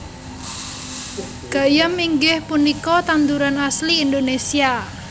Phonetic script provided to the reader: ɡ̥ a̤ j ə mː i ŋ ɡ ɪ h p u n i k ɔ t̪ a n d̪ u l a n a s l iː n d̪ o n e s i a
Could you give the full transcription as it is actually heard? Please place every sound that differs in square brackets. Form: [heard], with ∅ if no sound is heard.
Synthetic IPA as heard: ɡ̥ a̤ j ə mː i ŋ ɡ ɪ h p u n i k ɔ t̪ a n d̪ u [ɾ] a n a s l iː n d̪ o n e s i a